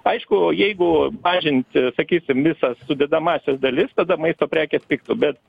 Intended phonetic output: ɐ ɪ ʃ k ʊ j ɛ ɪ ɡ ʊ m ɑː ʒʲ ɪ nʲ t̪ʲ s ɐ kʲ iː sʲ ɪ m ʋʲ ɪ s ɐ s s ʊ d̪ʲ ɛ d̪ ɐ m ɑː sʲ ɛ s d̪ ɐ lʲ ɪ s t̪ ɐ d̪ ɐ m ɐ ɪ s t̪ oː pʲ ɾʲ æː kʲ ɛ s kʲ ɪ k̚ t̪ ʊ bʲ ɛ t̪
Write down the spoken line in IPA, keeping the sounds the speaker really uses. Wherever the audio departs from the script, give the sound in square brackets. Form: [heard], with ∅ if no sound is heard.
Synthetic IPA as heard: ɐ ɪ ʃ k ʊ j ɛ ɪ ɡ ʊ m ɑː ʒʲ ɪ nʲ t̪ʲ s ɐ kʲ iː sʲ ɪ m ʋʲ ɪ s ɐ s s ʊ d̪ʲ ɛ d̪ ɐ m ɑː sʲ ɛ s d̪ ɐ lʲ ɪ s t̪ ɐ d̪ ɐ m ɐ ɪ s t̪ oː pʲ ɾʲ æː kʲ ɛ s [pʲ] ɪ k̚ t̪ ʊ bʲ ɛ t̪